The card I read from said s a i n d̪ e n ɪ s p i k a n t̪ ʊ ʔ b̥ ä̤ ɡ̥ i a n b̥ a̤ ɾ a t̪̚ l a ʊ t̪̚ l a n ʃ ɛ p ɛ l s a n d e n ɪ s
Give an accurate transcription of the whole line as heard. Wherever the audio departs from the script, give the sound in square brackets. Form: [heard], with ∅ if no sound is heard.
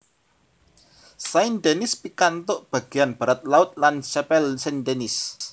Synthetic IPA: s a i n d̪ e n ɪ s p i k a n t̪ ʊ ʔ b̥ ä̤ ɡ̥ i a n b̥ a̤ ɾ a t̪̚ l a ʊ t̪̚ l a n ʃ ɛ p ɛ l s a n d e n ɪ s